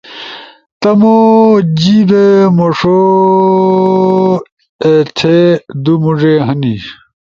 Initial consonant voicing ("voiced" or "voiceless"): voiceless